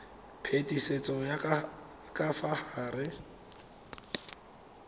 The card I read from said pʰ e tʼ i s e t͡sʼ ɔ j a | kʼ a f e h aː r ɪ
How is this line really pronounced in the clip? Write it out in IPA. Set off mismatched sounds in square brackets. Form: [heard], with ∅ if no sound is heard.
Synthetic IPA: pʰ e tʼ i s e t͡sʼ ɔ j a | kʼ a f [a] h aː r ɪ